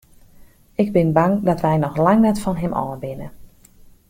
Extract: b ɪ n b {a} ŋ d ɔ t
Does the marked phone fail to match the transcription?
no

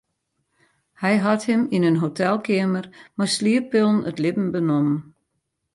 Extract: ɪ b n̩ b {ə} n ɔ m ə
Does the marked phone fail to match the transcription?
no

